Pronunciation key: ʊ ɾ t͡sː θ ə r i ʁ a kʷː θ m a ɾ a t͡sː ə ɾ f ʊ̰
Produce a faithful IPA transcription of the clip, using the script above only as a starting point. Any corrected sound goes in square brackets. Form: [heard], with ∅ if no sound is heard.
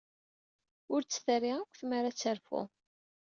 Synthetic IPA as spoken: ʊ ɾ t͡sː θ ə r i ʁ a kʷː θ m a ɾ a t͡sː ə ɾ f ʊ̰